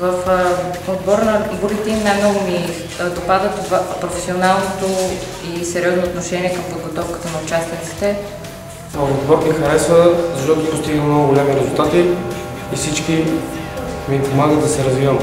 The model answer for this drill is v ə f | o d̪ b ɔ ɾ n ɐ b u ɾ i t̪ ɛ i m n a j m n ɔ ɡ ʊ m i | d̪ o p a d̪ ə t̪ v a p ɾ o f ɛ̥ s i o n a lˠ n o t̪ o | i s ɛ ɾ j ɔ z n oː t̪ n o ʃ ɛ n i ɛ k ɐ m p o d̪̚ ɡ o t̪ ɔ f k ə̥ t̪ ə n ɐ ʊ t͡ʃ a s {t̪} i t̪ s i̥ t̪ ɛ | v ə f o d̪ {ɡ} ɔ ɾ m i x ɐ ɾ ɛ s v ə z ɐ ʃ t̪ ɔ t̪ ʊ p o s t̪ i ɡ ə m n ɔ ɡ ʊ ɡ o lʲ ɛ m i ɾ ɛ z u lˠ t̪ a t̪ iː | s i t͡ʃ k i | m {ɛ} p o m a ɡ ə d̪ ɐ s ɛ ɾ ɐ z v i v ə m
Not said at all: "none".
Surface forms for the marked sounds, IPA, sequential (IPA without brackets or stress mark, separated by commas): t̪, b, i